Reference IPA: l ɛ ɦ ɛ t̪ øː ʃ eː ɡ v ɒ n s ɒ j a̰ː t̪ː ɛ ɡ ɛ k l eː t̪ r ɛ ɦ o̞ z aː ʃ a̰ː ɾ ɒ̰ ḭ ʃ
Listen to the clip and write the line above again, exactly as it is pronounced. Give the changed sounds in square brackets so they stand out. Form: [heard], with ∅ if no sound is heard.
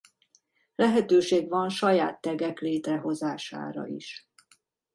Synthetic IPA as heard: l ɛ ɦ ɛ t̪ øː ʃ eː ɡ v ɒ n [ʃ] ɒ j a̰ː t̪ː ɛ ɡ ɛ k l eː t̪ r ɛ ɦ o̞ z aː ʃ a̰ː ɾ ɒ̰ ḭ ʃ